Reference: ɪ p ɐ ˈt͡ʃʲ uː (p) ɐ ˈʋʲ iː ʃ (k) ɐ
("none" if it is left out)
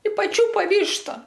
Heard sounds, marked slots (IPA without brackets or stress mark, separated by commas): p, t